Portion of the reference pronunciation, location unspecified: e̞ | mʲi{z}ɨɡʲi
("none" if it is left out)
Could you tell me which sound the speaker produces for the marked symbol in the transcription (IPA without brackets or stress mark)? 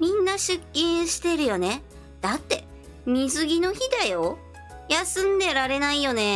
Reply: z